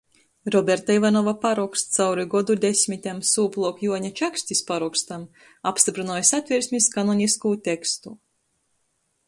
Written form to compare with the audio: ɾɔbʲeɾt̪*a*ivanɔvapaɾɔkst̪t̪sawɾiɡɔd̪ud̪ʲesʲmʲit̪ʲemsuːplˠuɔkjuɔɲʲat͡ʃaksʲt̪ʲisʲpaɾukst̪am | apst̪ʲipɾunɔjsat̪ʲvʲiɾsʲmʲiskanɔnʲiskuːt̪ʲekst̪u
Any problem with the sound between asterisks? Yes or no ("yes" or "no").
no